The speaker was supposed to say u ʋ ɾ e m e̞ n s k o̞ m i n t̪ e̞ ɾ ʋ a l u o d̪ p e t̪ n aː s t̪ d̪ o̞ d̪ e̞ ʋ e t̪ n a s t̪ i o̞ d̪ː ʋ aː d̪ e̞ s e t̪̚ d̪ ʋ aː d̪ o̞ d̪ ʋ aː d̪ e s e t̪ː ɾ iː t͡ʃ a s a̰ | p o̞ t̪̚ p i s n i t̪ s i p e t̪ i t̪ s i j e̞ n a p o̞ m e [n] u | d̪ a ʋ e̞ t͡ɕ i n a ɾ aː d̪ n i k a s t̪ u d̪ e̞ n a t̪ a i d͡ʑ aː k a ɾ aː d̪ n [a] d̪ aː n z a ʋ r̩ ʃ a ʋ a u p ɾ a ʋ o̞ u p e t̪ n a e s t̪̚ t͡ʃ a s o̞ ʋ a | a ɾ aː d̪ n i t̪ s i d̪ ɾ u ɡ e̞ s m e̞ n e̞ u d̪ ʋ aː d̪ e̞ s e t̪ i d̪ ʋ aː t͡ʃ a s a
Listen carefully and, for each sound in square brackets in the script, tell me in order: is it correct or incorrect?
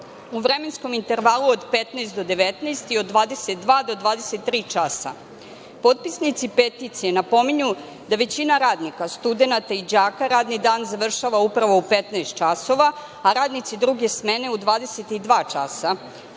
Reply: incorrect: ɲ, incorrect: i

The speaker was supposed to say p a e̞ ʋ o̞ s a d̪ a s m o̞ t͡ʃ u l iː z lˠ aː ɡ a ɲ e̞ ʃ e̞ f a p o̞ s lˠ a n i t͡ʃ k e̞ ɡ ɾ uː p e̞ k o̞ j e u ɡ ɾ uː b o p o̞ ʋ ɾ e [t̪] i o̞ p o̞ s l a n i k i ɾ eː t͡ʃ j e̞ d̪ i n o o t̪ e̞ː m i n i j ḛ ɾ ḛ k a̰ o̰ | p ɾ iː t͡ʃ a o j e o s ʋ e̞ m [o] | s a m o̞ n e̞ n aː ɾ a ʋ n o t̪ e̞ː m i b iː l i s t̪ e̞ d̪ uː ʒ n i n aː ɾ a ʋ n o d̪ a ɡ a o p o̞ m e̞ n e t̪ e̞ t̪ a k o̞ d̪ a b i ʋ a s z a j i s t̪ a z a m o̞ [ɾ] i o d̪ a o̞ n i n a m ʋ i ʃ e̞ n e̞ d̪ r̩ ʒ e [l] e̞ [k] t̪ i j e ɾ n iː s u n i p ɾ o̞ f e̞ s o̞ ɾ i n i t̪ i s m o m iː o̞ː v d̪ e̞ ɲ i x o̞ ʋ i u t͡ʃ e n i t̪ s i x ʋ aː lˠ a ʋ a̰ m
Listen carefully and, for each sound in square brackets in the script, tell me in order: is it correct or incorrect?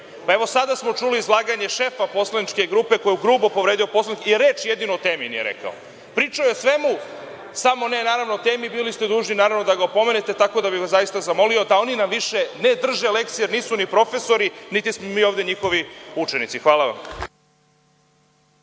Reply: incorrect: d̪, incorrect: u, incorrect: l, correct, correct

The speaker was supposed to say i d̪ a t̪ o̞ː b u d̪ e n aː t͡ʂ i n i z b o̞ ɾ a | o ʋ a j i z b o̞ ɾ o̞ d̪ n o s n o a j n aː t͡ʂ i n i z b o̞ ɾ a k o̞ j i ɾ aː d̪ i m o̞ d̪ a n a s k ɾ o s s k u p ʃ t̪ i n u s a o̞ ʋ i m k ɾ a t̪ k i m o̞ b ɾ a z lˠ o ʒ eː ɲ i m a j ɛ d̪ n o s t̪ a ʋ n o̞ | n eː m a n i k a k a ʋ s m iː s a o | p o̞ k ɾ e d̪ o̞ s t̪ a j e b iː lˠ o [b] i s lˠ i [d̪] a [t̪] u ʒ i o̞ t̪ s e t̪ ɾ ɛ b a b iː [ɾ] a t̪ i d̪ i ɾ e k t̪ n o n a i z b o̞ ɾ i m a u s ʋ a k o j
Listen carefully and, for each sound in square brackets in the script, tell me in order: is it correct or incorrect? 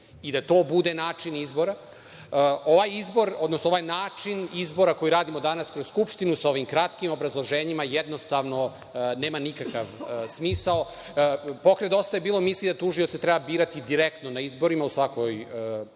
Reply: incorrect: m, correct, correct, correct

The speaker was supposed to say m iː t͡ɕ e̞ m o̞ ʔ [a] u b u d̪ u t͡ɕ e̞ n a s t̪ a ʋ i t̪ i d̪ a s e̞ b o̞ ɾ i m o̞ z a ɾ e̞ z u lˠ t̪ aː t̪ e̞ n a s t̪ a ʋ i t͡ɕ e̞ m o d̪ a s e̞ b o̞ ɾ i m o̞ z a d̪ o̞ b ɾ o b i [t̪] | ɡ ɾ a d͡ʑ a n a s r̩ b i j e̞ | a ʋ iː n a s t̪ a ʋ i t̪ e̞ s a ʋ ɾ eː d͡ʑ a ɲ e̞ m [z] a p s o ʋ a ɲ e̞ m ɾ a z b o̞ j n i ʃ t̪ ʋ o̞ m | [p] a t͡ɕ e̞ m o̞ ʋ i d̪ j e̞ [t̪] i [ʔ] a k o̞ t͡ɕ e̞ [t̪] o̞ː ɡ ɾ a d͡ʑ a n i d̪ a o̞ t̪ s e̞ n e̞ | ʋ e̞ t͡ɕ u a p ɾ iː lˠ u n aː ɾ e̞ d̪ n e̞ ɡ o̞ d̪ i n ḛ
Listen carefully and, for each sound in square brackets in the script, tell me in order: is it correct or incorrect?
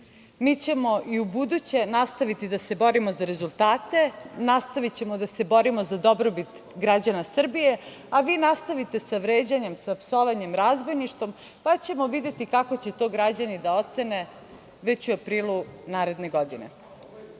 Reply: incorrect: i, correct, incorrect: s, correct, correct, incorrect: k, correct

